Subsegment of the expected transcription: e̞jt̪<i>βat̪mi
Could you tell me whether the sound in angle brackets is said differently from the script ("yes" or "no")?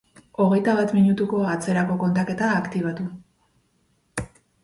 yes